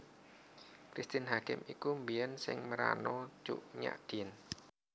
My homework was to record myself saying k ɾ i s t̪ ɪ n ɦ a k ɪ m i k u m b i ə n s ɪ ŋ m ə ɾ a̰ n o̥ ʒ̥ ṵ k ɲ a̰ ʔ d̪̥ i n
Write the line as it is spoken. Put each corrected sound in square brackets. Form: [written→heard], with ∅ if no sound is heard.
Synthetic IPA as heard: k ɾ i s t̪ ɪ n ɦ a k ɪ m i k u m b i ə n s ɪ ŋ m ə ɾ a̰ n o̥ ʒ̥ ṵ [k→ʔ] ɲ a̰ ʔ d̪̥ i n